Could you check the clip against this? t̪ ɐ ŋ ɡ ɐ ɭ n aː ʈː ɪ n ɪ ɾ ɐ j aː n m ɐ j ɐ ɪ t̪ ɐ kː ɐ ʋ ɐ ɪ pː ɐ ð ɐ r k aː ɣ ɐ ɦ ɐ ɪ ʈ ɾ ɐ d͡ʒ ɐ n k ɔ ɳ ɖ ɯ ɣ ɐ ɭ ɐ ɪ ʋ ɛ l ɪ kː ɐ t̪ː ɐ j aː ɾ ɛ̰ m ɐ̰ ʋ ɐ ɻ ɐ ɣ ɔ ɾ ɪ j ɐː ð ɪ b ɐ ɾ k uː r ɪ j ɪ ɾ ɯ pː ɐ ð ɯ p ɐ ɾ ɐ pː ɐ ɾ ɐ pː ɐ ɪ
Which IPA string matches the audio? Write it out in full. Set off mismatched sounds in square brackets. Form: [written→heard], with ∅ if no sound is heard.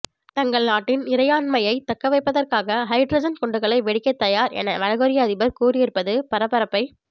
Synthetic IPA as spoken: t̪ ɐ ŋ ɡ ɐ ɭ n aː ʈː ɪ n ɪ ɾ ɐ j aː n m ɐ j ɐ ɪ t̪ ɐ kː ɐ ʋ ɐ ɪ pː ɐ ð ɐ r k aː ɣ ɐ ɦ ɐ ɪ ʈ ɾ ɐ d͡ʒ ɐ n k ɔ ɳ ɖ ɯ ɣ ɐ ɭ ɐ ɪ ʋ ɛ [l→ɽ] ɪ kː ɐ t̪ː ɐ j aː ɾ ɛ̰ [m→n] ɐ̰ ʋ ɐ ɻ ɐ ɣ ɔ ɾ ɪ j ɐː ð ɪ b ɐ ɾ k uː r ɪ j ɪ ɾ ɯ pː ɐ ð ɯ p ɐ ɾ ɐ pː ɐ ɾ ɐ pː ɐ ɪ